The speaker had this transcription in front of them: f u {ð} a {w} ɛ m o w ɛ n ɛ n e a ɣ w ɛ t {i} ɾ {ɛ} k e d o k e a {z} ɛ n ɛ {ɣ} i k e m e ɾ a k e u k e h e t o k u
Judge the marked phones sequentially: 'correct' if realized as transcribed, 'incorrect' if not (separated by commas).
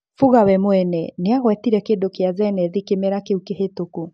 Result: incorrect, correct, correct, correct, correct, incorrect